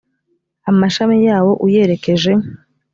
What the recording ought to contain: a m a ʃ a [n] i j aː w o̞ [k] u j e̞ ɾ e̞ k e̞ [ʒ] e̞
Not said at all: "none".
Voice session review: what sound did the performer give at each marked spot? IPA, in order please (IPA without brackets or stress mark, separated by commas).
m, ʔ, ʒ